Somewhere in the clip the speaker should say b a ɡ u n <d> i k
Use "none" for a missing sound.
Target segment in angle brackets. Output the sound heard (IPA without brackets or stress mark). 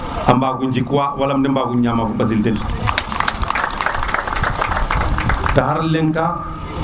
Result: d͡ʒ